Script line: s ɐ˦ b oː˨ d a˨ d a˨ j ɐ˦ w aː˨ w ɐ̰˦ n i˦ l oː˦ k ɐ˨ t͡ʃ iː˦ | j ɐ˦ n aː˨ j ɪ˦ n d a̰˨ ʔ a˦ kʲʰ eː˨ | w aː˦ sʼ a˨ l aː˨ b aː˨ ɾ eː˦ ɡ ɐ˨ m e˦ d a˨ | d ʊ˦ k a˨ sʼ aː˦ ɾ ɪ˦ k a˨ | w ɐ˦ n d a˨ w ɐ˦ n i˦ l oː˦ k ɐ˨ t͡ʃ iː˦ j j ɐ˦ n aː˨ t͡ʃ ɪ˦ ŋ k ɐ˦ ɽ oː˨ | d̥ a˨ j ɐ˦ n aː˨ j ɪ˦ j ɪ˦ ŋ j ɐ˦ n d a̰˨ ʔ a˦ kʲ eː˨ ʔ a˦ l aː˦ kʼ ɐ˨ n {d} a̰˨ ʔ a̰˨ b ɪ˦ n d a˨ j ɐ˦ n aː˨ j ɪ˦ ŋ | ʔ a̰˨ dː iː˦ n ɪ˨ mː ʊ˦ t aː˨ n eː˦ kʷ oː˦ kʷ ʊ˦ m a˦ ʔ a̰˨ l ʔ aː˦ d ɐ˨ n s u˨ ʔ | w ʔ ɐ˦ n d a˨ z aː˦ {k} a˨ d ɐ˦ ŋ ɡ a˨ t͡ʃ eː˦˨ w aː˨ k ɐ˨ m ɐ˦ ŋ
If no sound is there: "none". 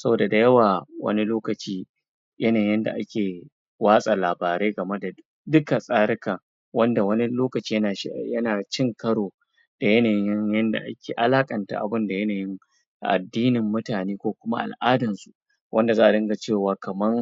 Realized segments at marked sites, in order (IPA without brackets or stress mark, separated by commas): t, ʔ